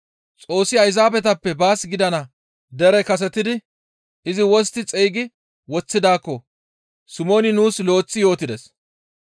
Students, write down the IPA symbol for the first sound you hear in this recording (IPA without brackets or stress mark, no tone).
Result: t͡sʼ